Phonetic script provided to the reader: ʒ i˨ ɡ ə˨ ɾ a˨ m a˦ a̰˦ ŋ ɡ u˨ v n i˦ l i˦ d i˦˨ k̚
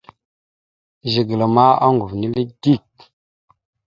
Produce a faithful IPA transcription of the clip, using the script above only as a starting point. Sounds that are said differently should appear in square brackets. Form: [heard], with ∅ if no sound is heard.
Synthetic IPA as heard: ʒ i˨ ɡ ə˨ [l] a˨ m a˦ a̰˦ ŋ ɡ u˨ v n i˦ l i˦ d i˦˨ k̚